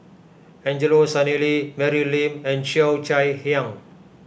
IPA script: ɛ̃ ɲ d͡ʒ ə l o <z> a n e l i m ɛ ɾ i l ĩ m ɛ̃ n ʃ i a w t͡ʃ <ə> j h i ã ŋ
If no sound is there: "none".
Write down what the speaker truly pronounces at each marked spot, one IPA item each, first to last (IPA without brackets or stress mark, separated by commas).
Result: s, a